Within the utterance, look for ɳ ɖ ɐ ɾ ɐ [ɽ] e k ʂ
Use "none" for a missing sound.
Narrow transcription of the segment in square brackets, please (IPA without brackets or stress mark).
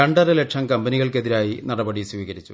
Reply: l